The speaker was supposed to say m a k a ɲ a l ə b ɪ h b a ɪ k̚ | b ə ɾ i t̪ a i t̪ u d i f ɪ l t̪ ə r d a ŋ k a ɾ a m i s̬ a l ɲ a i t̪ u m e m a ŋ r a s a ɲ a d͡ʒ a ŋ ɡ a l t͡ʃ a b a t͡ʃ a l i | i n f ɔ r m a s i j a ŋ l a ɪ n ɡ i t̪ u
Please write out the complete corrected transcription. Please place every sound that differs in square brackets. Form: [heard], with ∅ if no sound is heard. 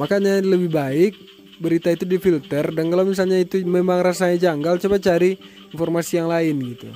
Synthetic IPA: m a k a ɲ a l ə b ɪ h b a ɪ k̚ | b ə ɾ i t̪ a i t̪ u d i f [i] l t̪ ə r d a [n] k a [l] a m i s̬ a l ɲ a i t̪ u m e m a ŋ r a s a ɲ a d͡ʒ a ŋ ɡ a l t͡ʃ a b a t͡ʃ a [ɾ] i | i n f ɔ r m a s i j a ŋ l a ɪ n ɡ i t̪ u